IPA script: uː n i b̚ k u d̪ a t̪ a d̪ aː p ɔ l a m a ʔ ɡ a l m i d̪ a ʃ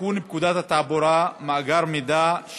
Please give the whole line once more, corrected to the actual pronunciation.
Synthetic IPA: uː n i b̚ k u d̪ a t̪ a t̪ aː b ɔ ɾ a m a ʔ ɡ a ɾ m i d̪ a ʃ